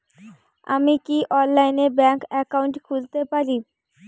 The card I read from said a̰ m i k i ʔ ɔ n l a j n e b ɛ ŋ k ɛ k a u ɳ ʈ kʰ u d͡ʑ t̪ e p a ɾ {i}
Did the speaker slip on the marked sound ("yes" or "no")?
no